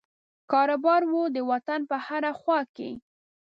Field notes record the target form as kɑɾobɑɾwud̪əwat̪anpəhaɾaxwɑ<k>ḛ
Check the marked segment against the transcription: correct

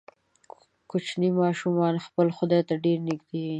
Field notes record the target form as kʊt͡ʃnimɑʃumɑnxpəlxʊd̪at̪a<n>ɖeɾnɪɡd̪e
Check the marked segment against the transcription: incorrect: none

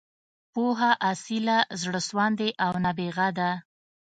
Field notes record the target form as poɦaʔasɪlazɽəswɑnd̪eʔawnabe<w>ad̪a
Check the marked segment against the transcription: incorrect: ɣ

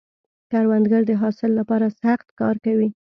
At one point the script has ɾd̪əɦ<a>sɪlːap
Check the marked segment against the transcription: incorrect: ɑ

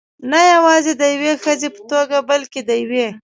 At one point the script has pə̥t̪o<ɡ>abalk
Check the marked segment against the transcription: correct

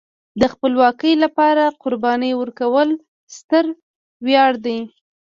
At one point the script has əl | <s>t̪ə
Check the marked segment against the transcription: correct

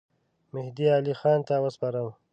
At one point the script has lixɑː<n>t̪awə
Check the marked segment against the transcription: correct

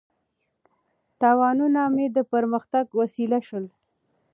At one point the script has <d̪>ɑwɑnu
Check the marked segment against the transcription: incorrect: t̪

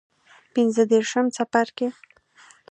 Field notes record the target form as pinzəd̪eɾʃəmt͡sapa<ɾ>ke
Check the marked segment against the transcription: correct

